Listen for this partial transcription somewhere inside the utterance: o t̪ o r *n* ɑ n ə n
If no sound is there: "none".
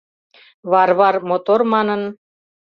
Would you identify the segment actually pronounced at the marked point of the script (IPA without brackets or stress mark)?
m